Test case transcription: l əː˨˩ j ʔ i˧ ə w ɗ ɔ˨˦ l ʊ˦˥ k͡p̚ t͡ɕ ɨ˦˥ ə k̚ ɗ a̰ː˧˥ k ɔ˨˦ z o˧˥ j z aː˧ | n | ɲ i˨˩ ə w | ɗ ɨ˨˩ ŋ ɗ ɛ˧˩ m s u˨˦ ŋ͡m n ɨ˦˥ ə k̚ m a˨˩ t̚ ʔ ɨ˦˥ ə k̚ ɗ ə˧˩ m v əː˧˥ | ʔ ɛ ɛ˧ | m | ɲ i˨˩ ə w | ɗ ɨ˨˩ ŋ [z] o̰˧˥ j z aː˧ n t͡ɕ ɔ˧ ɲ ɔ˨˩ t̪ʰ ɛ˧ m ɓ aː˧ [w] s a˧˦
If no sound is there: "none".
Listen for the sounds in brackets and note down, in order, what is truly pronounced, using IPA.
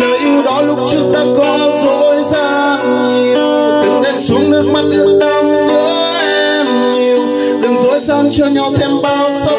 z, w

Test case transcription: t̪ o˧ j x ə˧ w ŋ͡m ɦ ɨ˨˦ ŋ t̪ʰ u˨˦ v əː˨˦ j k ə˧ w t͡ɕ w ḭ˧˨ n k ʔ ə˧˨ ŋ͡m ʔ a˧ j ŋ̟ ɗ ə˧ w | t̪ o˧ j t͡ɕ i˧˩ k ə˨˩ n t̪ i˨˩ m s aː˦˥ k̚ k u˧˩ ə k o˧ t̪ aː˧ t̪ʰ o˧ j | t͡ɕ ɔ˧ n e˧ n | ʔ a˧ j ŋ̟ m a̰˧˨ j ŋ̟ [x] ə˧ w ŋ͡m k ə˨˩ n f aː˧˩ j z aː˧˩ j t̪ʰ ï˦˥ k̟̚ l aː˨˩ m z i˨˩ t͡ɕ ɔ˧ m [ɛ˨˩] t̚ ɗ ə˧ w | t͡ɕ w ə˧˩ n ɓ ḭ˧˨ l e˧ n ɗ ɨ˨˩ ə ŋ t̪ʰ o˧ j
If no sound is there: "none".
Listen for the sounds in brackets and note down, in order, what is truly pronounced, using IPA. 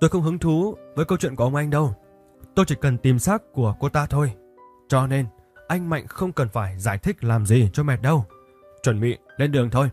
x, ɛ˨˩

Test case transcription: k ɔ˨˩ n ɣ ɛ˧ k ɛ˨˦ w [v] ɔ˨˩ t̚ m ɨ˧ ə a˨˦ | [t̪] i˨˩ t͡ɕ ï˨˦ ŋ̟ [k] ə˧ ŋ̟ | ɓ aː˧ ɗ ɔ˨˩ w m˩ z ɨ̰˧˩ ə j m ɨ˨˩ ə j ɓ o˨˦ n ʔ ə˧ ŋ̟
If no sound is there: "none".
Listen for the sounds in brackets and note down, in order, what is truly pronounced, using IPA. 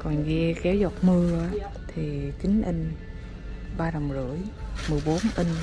z, t̪ʰ, ʔ

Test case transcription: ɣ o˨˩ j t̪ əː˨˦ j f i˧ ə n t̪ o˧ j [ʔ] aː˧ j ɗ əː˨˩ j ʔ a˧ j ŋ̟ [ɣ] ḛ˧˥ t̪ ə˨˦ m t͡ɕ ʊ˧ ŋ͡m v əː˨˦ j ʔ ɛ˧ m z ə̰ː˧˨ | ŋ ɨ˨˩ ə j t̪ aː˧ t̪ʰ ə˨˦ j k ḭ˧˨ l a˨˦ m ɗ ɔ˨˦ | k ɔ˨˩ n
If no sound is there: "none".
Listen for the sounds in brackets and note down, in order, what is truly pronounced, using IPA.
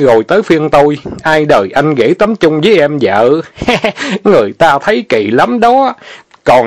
ʔ, ɣ

